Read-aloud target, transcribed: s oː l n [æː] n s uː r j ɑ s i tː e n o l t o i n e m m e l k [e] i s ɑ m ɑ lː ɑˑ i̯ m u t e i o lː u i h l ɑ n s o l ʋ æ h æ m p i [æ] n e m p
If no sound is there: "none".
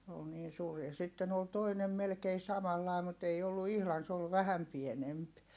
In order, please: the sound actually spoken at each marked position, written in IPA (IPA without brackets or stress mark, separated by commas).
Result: iː, e, e